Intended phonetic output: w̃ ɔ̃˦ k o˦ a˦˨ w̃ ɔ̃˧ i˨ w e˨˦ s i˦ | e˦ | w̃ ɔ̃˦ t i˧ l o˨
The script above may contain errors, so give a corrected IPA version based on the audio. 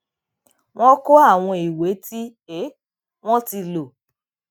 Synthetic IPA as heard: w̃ ɔ̃˦ k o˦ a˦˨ w̃ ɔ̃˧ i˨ w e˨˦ t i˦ | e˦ | w̃ ɔ̃˦ t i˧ l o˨